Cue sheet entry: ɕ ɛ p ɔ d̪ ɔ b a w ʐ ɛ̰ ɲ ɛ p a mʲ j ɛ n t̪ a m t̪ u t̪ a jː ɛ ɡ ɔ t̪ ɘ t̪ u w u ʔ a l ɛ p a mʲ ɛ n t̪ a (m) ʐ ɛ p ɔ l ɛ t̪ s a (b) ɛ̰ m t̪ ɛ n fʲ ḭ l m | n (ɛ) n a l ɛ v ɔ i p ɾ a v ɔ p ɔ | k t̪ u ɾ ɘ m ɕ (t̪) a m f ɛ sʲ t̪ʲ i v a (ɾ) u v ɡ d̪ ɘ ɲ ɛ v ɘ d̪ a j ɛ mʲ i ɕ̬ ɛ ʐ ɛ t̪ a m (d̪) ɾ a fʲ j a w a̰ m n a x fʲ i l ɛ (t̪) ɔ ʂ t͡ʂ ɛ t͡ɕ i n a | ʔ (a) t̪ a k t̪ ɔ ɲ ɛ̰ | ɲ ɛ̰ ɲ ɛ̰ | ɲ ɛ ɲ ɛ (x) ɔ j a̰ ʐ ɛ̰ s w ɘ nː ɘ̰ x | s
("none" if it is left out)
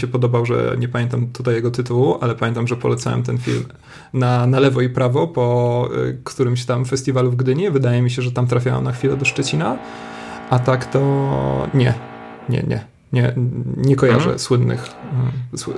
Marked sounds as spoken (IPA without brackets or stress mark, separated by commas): m, w, a, t̪, l, t̪, d̪, a, k